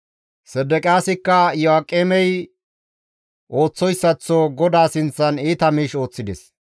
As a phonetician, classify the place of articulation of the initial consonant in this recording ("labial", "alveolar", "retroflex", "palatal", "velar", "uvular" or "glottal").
alveolar